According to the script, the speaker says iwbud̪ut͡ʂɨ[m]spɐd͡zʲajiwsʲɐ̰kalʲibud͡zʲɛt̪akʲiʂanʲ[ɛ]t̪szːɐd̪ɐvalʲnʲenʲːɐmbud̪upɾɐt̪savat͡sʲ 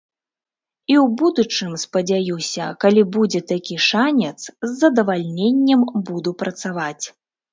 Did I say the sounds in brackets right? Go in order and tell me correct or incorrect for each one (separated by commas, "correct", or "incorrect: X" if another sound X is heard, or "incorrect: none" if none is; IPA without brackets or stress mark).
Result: correct, correct